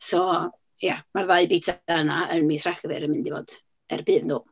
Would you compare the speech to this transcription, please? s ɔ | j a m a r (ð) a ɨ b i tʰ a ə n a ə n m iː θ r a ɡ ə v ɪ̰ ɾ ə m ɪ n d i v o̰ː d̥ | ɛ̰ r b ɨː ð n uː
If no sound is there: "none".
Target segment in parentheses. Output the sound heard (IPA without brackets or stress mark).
ð